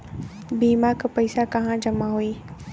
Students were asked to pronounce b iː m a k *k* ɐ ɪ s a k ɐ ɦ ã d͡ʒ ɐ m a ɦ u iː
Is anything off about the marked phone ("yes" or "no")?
yes